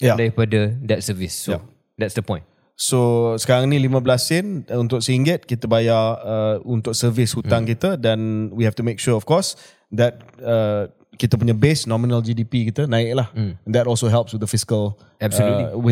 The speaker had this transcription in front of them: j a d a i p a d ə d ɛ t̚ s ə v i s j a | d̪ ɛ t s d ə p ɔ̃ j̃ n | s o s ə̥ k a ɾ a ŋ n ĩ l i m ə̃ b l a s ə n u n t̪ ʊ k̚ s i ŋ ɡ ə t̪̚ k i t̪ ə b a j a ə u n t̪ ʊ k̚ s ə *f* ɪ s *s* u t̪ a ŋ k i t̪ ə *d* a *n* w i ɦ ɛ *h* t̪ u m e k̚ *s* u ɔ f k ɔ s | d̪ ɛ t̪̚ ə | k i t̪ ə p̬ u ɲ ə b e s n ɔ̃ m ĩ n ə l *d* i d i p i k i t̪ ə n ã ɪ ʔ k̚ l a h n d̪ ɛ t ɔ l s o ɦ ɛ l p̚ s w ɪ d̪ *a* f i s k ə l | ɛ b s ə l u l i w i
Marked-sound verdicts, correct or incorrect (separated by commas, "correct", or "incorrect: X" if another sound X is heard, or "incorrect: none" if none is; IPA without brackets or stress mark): incorrect: v, incorrect: h, correct, correct, incorrect: f, incorrect: ʃ, incorrect: d͡ʒ, incorrect: ə